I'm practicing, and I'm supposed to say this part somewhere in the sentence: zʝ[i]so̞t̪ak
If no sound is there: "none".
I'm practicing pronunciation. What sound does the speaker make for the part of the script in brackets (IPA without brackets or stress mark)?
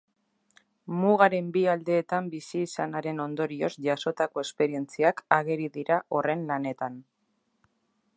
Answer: a